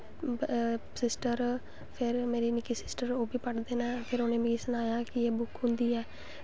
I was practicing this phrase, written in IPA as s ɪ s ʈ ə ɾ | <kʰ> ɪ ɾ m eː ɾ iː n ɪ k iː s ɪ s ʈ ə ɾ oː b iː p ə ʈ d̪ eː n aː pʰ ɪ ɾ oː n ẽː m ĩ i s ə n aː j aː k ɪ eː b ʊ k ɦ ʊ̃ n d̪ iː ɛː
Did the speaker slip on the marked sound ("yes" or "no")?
yes